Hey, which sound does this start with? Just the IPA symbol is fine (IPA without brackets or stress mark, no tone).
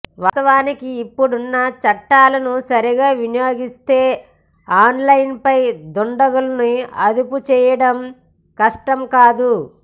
ʋ